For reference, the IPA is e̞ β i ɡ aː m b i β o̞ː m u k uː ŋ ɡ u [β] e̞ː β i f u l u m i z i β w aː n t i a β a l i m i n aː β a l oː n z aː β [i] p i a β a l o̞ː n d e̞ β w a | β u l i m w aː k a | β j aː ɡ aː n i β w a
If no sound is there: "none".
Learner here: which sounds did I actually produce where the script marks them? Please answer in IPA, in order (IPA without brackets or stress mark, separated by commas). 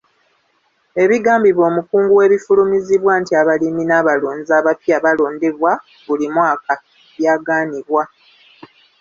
w, a